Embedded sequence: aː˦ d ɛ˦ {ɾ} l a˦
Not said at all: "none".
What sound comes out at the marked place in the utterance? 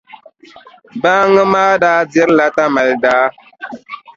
ɾ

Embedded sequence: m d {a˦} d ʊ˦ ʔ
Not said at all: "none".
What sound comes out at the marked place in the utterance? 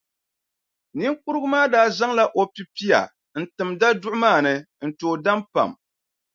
a˦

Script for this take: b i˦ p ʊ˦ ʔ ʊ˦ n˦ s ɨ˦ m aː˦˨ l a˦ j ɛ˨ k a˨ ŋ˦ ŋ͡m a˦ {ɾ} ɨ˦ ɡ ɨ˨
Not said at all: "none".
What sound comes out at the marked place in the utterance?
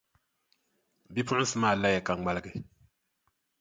l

